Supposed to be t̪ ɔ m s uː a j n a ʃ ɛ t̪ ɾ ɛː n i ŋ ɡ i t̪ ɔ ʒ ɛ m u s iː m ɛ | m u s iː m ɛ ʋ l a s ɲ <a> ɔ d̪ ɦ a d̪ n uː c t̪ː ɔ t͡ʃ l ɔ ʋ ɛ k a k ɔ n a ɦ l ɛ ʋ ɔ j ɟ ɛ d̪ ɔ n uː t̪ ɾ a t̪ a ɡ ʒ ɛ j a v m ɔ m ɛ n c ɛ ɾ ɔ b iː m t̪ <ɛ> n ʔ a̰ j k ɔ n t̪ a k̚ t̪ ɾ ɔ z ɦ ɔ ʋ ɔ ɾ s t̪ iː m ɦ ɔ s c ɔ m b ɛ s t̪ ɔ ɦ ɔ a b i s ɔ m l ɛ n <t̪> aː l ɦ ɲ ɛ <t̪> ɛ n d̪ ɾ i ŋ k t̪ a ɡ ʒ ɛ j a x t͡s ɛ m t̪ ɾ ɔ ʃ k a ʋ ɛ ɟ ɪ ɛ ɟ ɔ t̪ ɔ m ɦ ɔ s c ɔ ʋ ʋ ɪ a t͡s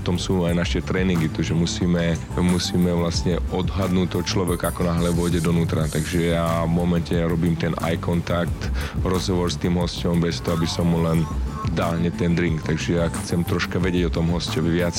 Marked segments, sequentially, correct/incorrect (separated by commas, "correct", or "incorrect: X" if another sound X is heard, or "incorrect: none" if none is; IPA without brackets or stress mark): incorrect: ɛ, correct, incorrect: d̪, correct